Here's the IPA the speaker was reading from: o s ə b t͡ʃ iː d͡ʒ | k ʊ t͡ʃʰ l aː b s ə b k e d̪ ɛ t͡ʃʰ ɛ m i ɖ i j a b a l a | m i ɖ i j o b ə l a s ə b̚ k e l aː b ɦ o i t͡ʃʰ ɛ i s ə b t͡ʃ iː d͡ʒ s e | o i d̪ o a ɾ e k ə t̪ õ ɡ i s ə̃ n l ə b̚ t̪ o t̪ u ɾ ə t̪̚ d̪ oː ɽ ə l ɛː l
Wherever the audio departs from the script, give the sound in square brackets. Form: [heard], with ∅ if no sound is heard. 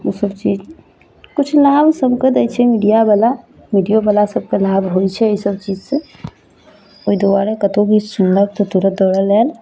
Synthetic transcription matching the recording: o s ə b t͡ʃ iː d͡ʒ | k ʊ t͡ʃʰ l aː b s ə b k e d̪ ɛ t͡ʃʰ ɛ m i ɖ i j a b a l a | m i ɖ i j o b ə l a s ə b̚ k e l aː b ɦ o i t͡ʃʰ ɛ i s ə b t͡ʃ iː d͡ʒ s e | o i d̪ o a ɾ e k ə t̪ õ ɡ i s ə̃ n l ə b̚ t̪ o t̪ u ɾ ə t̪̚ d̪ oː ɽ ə l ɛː l